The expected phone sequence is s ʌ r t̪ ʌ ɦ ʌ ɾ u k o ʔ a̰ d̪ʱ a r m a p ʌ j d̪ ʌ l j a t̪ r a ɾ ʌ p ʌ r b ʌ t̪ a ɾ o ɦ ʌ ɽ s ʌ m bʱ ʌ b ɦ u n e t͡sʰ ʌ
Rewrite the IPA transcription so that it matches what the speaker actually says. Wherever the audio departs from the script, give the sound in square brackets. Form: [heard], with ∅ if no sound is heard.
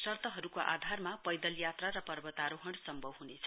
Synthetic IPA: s ʌ r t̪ ʌ ɦ ʌ ɾ u k o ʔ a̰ d̪ʱ a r m a p ʌ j d̪ ʌ l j a t̪ r a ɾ ʌ p ʌ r b ʌ t̪ a ɾ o ɦ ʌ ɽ s ʌ m bʱ ʌ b ɦ u n e t͡sʰ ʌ